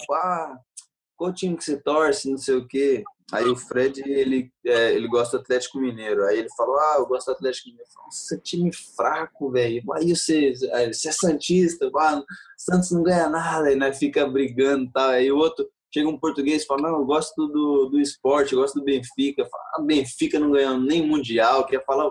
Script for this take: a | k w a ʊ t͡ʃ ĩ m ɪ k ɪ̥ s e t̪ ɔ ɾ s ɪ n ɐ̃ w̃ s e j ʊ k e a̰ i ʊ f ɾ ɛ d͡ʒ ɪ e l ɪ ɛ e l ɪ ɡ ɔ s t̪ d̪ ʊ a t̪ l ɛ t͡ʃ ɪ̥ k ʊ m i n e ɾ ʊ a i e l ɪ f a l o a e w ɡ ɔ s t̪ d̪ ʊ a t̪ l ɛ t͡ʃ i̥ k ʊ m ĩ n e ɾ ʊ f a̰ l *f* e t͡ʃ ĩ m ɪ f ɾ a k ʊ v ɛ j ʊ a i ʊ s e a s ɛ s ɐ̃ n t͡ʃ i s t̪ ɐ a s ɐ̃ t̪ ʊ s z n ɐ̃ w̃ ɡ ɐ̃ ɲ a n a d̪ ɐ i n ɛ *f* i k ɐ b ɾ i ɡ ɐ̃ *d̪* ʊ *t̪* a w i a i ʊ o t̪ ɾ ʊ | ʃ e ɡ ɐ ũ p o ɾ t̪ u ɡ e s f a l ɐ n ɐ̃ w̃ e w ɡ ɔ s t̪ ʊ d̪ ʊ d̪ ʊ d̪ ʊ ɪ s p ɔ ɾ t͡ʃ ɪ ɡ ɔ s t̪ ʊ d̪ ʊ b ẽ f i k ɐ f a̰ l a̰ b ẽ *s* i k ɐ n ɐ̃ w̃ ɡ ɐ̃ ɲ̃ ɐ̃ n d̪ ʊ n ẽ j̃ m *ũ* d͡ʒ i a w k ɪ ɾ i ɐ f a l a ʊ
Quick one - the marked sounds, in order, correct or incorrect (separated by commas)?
incorrect, correct, correct, correct, incorrect, correct